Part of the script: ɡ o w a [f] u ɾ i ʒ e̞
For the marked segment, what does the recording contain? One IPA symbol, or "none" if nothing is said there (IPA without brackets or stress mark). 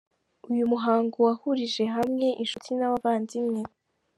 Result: h